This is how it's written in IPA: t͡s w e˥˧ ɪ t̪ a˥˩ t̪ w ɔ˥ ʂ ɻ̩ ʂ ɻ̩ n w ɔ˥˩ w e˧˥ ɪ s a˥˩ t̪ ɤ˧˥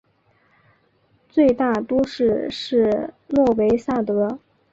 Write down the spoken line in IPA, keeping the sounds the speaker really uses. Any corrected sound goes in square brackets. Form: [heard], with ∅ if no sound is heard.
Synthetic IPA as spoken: t͡s w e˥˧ ɪ t̪ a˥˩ t̪ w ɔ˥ ʂ ɻ̩ ʂ ɻ̩ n w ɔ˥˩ w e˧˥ ɪ s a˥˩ t̪ ɤ˧˥